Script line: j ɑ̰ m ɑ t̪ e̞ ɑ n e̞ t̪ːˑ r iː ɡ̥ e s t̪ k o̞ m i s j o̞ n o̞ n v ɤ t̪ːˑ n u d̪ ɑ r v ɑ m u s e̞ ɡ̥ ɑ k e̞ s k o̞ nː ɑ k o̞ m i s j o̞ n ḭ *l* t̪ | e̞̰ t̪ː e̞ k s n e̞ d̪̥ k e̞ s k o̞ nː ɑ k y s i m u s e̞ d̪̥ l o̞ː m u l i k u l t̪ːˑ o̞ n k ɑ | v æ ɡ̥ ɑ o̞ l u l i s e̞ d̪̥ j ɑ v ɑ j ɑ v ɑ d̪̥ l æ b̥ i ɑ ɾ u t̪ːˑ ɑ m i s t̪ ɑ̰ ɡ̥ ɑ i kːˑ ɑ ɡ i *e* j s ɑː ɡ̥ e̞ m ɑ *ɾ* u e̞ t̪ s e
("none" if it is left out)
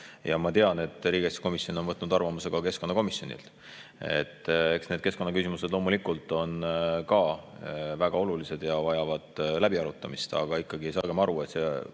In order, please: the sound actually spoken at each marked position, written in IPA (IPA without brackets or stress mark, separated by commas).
l, e, ɾ